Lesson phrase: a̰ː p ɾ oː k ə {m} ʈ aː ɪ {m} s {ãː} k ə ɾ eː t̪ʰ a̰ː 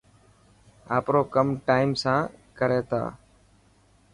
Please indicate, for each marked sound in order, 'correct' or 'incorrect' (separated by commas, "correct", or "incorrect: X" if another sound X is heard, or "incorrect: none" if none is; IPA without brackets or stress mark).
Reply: correct, correct, correct